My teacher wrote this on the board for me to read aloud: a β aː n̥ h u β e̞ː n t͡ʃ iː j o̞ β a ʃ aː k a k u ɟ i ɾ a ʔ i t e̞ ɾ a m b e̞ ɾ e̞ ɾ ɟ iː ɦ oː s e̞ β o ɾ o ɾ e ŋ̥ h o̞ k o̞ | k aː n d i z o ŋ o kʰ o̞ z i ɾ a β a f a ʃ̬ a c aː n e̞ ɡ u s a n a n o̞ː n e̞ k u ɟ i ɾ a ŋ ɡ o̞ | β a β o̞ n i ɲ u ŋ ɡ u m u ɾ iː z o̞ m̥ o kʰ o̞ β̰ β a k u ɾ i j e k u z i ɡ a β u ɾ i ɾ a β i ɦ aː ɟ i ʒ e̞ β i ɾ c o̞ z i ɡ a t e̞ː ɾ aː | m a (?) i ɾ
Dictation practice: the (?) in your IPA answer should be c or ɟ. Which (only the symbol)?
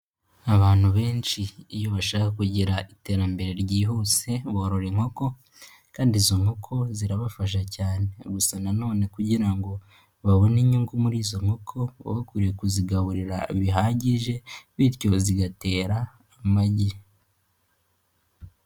ɟ